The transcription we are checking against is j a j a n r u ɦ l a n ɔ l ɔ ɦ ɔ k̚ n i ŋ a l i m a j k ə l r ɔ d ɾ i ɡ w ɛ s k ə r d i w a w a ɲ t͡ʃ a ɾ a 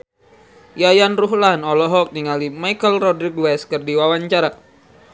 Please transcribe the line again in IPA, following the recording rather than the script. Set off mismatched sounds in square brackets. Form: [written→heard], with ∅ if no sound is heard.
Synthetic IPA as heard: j a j a n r u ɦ l a n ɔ l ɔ ɦ ɔ k̚ n i ŋ a l i m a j k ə l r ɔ d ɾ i ɡ w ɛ s k ə r d i w a w a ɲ t͡ʃ a ɾ a